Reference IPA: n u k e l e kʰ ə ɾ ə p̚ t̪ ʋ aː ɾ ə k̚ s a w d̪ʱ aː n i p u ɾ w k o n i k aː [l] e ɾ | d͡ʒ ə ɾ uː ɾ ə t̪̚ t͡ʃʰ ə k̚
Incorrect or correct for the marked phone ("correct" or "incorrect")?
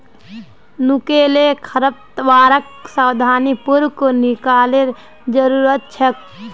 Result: correct